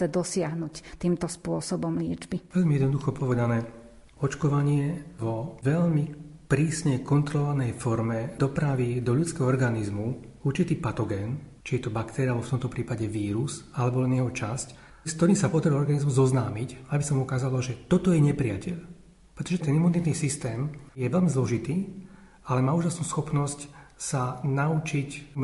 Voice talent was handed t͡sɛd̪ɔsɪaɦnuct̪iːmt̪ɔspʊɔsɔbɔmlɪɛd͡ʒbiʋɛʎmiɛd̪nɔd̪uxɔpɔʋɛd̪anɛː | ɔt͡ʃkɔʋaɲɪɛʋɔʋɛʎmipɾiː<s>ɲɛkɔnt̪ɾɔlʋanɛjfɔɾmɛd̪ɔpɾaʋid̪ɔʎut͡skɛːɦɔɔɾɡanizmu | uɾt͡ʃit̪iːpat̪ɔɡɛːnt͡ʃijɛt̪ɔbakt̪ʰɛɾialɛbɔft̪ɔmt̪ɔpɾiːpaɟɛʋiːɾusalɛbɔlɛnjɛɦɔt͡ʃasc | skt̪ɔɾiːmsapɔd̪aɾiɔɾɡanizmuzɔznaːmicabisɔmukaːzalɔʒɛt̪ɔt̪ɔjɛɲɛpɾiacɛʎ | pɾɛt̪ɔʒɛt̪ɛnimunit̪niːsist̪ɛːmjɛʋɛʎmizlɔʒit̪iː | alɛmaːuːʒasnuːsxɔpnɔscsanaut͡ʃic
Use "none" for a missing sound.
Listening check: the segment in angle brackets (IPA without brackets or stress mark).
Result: s